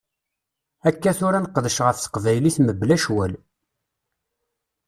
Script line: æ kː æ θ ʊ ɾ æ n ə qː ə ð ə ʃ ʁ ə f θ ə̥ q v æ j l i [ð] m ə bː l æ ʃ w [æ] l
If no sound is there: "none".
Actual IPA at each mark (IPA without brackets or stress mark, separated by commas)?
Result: θ, æ